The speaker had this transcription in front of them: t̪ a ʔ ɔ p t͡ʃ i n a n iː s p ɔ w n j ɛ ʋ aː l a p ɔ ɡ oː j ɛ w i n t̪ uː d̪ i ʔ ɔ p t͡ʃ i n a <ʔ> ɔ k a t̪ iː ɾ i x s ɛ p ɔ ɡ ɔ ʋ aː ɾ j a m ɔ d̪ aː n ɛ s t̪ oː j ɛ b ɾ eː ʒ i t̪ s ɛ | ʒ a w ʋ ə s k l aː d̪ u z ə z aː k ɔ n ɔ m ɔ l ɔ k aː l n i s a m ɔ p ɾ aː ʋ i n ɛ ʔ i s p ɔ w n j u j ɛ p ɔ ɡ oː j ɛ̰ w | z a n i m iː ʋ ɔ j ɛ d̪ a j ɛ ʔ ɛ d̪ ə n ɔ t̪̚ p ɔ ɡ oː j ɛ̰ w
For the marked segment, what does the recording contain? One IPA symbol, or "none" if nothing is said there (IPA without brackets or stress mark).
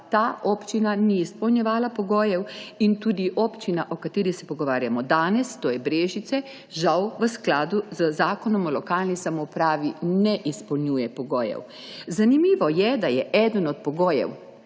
ʔ